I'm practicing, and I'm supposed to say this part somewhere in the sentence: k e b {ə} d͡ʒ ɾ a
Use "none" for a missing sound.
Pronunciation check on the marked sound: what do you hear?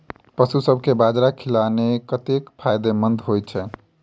a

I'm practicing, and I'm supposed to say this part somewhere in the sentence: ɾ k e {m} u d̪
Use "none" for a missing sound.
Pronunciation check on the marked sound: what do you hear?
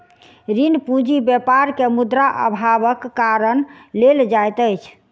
m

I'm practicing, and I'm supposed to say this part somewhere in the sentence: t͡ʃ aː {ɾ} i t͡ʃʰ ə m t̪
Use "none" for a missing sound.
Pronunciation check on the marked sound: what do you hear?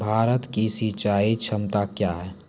none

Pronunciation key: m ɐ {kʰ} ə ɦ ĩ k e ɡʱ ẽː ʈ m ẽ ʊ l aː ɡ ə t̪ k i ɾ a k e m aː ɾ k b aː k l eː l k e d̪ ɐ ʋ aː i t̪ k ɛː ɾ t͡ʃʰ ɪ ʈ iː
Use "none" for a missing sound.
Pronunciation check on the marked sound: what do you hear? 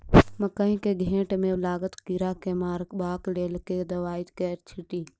k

